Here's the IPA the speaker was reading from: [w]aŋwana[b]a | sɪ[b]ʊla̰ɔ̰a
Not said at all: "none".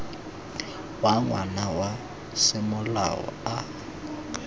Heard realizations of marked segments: w, w, m

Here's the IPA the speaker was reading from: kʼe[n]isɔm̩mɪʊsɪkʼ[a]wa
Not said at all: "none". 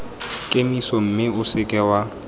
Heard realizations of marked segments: m, ɛ

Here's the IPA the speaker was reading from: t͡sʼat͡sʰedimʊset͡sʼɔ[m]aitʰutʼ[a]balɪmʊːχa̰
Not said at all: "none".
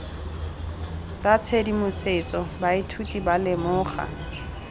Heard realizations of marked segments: b, i

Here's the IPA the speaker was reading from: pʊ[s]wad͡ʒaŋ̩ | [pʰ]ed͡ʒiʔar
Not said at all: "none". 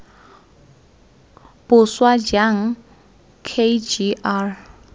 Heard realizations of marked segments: s, kʰ

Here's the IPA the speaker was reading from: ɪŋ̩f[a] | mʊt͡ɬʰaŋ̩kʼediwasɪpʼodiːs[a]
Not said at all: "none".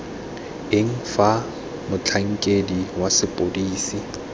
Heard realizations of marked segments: a, i

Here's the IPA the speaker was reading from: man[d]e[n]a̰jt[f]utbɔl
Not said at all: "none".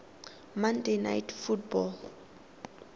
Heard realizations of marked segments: d, n, f

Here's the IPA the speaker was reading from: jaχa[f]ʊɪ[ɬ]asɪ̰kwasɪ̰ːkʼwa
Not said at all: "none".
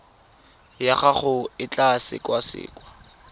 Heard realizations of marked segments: χ, t͡ɬ

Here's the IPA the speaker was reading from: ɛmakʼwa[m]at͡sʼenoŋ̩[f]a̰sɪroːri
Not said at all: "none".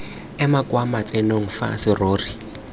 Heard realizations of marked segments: m, f

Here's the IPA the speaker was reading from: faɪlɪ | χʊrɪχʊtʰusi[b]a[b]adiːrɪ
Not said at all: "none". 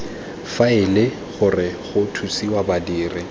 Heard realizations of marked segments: w, b

